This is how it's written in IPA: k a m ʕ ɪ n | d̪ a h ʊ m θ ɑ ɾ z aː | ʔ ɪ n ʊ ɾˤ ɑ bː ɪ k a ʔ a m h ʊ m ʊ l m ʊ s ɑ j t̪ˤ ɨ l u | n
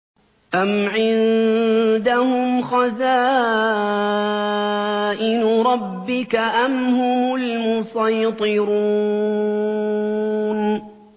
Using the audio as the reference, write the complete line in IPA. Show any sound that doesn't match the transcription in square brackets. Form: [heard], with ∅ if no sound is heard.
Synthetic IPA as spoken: [ʔ] a m ʕ ɪ n | d̪ a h ʊ m [x] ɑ [∅] z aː | ʔ ɪ n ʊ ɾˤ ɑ bː ɪ k a ʔ a m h ʊ m ʊ l m ʊ s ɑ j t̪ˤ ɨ [ɾ] u | n